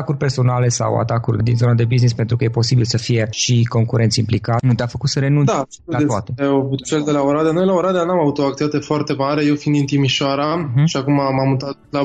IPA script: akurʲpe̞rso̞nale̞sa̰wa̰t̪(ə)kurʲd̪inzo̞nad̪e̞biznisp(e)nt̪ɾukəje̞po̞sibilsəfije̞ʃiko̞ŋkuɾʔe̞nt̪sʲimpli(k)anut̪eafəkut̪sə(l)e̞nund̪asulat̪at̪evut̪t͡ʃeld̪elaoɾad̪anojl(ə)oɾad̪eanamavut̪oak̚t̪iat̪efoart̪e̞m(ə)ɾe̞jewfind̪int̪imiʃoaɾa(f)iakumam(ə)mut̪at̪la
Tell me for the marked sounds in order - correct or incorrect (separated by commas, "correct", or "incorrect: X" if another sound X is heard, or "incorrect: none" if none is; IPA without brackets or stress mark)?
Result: incorrect: a, correct, correct, incorrect: ɾ, incorrect: a, incorrect: a, incorrect: ʃ, incorrect: a